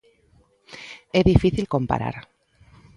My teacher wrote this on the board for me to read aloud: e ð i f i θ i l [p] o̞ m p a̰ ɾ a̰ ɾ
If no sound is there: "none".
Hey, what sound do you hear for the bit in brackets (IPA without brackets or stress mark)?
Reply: k